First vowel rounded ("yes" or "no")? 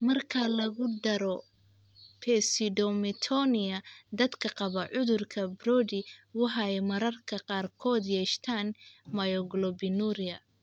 no